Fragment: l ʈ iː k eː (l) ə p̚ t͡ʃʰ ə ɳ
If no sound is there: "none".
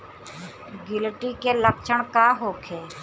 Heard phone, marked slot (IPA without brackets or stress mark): l